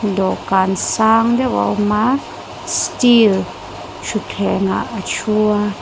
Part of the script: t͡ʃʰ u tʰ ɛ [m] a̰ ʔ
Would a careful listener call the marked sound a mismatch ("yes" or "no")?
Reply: yes